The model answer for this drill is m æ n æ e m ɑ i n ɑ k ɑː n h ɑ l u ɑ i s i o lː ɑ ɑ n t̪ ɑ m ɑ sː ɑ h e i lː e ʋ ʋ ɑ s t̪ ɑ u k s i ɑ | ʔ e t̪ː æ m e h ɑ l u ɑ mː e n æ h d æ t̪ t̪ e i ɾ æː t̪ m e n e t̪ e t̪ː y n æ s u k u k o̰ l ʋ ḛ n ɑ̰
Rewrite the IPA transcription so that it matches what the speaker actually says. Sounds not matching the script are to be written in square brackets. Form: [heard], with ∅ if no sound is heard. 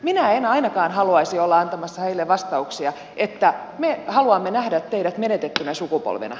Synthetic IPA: m [i] n æ e [n] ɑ i n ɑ k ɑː n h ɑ l u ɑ i s i o lː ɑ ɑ n t̪ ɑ m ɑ sː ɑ h e i lː e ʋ ʋ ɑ s t̪ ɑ u k s i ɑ | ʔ e t̪ː æ m e h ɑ l u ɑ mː e n æ h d æ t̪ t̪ e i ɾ [æ] t̪ m e n e t̪ e t̪ː y n æ s u k u [p] o̰ l ʋ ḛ n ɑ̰